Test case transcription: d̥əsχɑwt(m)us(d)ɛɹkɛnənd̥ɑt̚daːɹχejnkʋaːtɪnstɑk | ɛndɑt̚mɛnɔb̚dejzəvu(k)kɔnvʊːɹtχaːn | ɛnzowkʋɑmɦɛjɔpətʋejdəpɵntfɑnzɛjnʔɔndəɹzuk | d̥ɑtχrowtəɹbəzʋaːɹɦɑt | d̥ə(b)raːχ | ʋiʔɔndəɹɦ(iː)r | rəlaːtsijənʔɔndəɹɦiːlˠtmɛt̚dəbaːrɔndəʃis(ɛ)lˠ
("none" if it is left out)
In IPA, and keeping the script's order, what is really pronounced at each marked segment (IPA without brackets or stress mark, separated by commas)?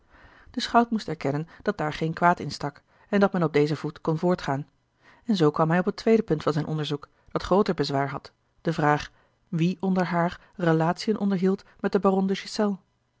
m, t, t, v, aː, ɛ